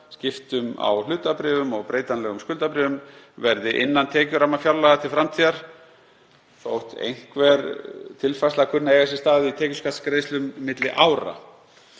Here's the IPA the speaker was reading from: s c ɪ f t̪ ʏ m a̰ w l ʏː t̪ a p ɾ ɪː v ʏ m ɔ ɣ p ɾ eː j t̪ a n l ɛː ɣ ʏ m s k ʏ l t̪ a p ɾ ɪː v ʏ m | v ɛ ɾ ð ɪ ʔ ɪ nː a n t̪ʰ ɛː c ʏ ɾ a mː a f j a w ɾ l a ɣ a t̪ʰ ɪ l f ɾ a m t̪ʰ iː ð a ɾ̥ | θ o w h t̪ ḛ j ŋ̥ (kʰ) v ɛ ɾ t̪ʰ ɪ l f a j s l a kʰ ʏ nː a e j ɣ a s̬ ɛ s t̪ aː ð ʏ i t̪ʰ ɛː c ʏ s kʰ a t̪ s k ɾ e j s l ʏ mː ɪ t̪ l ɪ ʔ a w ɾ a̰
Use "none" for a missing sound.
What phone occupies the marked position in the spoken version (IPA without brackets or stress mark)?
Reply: k